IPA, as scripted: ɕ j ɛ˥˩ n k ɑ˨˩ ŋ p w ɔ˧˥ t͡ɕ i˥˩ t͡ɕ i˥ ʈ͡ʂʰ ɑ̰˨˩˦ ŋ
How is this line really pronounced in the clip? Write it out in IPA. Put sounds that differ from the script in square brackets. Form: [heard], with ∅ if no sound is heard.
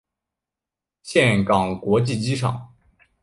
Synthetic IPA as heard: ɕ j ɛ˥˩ n k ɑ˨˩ ŋ [k] w ɔ˧˥ t͡ɕ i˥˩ t͡ɕ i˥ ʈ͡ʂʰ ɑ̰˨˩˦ ŋ